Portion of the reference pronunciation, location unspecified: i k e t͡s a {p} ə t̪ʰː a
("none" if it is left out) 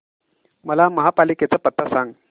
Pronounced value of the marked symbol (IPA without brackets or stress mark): p